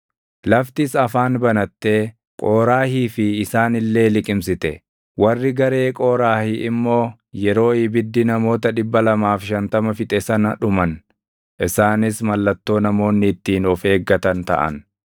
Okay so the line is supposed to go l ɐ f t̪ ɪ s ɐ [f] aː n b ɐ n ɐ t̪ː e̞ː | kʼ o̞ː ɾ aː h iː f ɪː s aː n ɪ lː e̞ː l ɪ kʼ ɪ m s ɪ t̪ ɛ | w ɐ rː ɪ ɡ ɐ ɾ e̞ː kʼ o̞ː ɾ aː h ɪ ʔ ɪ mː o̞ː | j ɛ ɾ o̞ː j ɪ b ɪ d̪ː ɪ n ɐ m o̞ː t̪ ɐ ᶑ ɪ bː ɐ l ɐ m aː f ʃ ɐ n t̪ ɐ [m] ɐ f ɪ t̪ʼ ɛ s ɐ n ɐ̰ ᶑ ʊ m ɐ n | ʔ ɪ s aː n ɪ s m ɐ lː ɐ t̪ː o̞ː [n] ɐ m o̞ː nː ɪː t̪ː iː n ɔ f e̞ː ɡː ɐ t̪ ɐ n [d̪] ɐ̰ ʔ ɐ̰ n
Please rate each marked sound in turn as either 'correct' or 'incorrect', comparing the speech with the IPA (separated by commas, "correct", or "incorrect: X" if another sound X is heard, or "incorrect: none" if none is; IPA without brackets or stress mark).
correct, correct, correct, incorrect: t̪